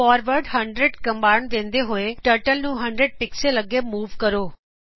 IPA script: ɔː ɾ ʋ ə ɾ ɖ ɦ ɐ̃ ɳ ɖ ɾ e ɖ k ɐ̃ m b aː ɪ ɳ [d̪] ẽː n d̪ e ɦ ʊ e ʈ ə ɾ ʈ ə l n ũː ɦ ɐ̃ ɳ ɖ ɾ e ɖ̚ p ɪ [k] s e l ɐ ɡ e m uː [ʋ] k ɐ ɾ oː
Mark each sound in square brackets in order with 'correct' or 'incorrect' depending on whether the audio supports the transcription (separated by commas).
correct, correct, correct